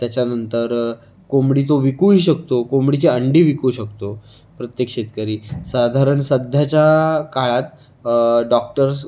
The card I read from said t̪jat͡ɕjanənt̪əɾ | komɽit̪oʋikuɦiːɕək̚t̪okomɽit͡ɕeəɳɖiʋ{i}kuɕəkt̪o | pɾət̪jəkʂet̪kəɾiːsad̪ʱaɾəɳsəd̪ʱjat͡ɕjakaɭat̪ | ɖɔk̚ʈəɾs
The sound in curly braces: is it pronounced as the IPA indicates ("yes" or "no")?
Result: yes